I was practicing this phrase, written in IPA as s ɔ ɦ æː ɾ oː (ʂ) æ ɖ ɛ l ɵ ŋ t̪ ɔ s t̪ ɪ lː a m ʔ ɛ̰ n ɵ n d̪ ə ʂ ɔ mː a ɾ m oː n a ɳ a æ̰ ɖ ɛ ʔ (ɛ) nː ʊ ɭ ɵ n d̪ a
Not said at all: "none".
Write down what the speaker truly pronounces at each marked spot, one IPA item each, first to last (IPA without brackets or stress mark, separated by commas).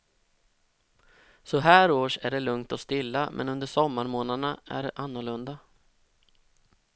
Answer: ʂ, a